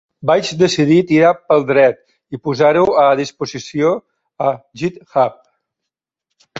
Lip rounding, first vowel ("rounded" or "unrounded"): unrounded